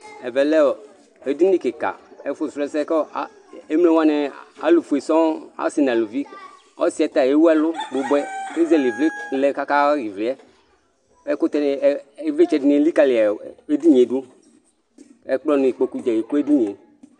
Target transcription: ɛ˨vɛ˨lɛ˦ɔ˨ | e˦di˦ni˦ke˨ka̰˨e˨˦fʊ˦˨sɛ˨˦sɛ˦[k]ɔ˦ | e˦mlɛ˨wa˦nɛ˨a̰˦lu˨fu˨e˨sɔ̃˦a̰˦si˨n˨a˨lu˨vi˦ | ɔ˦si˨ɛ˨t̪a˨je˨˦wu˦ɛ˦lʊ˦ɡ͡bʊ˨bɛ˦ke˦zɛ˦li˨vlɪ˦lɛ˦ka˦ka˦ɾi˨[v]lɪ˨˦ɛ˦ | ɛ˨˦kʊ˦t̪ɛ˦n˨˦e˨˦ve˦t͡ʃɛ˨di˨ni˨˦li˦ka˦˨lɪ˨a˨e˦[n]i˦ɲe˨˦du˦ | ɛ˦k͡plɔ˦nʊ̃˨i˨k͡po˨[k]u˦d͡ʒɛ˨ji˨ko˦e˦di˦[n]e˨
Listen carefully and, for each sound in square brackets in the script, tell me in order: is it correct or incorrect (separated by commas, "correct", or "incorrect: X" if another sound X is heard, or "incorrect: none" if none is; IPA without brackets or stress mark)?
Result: correct, correct, incorrect: d, correct, incorrect: ɲ